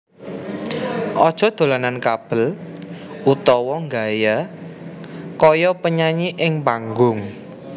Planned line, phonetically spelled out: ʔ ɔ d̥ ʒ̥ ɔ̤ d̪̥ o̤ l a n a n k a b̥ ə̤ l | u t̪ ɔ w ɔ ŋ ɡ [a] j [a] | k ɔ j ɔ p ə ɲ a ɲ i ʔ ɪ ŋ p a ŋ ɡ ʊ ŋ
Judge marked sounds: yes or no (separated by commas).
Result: yes, yes